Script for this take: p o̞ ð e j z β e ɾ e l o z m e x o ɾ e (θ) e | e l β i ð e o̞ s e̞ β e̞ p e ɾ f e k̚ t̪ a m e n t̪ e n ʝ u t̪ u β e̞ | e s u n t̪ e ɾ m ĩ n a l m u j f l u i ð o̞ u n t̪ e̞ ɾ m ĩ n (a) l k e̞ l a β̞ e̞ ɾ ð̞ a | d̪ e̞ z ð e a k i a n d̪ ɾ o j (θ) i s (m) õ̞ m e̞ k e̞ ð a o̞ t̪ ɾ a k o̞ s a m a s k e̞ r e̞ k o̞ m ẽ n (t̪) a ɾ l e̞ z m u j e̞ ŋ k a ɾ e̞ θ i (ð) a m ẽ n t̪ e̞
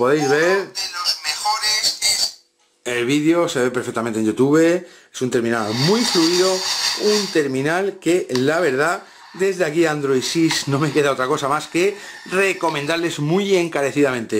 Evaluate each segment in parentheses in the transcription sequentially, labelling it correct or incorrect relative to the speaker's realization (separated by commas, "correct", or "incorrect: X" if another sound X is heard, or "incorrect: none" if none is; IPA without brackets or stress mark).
incorrect: s, correct, incorrect: s, incorrect: n, incorrect: d̪, correct